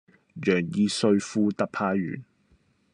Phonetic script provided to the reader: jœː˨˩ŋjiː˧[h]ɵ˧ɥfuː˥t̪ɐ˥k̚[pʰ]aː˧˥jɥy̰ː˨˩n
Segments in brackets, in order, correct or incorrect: incorrect, correct

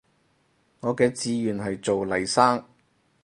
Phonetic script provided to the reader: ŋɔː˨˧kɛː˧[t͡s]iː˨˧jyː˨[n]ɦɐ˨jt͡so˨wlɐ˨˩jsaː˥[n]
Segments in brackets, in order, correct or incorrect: correct, correct, incorrect

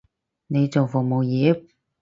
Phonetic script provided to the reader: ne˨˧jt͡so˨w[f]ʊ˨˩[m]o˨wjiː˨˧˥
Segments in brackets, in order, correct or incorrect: correct, correct

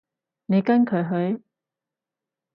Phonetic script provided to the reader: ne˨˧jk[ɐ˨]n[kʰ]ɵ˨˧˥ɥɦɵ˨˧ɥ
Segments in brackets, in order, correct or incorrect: incorrect, correct

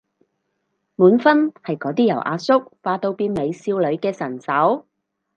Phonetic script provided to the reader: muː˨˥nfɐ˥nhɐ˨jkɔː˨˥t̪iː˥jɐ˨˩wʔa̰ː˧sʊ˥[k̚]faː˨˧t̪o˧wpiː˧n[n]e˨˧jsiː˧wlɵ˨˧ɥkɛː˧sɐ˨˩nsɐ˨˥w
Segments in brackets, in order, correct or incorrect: correct, incorrect

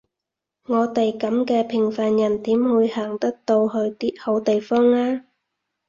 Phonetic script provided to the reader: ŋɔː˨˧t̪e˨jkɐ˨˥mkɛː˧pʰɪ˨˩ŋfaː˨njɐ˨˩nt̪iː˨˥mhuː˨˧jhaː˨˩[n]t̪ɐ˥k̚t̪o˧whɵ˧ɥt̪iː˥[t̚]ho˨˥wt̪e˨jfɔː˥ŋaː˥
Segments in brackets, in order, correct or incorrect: incorrect, correct

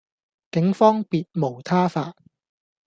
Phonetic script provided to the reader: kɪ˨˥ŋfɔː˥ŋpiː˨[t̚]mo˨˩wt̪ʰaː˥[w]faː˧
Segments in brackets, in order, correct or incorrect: correct, incorrect

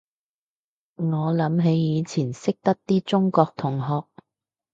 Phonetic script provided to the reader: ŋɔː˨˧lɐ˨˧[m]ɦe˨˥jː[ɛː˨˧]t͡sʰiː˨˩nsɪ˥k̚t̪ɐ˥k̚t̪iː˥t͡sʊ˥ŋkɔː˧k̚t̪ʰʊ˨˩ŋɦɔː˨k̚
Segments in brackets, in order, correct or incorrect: correct, incorrect

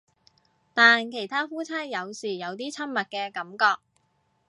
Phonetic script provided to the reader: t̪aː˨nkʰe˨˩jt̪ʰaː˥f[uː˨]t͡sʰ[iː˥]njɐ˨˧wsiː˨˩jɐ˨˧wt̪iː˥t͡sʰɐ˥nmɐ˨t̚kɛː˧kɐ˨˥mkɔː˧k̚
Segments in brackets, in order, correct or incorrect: incorrect, incorrect

